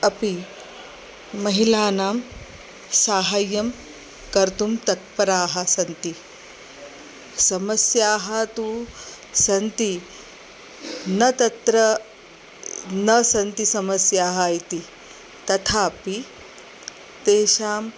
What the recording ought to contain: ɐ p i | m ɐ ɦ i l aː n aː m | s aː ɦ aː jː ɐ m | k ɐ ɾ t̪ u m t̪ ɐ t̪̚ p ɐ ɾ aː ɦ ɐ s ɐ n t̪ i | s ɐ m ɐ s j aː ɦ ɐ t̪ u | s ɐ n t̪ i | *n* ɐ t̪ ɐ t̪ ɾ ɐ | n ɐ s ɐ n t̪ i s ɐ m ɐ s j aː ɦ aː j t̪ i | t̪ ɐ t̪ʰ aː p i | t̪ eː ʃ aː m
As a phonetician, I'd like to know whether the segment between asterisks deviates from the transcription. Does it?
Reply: no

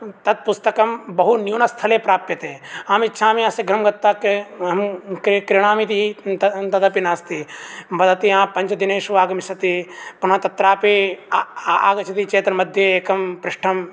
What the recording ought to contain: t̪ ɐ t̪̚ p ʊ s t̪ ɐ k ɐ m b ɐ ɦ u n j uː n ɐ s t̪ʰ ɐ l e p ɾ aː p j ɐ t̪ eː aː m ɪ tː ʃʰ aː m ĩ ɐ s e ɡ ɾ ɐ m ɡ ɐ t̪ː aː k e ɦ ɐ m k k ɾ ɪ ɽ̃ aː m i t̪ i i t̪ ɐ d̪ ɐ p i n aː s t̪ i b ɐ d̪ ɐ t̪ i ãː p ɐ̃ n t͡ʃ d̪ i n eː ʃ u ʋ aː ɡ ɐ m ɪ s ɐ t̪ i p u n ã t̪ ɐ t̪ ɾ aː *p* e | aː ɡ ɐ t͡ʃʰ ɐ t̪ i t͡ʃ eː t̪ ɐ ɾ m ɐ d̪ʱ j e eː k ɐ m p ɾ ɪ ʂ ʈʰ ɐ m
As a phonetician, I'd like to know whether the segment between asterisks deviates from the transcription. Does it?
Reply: no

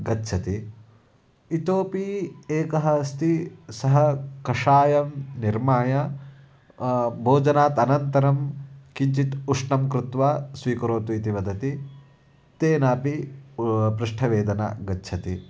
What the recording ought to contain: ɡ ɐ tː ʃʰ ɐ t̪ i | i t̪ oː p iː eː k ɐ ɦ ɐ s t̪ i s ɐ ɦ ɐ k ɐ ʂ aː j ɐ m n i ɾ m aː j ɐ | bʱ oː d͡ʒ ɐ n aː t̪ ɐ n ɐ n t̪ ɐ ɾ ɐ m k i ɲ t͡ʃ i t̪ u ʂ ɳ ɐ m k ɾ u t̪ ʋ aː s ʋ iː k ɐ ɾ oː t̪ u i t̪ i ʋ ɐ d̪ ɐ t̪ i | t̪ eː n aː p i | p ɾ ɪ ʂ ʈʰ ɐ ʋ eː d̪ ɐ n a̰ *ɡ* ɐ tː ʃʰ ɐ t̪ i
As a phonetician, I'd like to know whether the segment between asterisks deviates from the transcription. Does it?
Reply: no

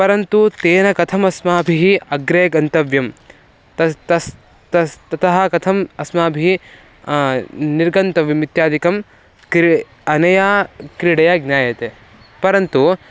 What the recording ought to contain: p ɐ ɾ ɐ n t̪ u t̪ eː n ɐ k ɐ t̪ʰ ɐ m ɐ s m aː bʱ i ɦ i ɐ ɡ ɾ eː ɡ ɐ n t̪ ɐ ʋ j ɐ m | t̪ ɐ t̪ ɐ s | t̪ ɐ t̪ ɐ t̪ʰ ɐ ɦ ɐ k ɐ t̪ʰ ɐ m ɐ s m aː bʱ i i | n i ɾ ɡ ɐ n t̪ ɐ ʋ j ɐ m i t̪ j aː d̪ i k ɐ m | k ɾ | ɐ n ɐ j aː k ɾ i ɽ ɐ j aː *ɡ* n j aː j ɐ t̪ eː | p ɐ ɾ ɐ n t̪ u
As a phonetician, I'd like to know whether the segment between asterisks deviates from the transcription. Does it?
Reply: no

